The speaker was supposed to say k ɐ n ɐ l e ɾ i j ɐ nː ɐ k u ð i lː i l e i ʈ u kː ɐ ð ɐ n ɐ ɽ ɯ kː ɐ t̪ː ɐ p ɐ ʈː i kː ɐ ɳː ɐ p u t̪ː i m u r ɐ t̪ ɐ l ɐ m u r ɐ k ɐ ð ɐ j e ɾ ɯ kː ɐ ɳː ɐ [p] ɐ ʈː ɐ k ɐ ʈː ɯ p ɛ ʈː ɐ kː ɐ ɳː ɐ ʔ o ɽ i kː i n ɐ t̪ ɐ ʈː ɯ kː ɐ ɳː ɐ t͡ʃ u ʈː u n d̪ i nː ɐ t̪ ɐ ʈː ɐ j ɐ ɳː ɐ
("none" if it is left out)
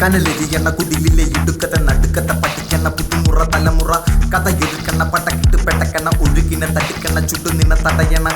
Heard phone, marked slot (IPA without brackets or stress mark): p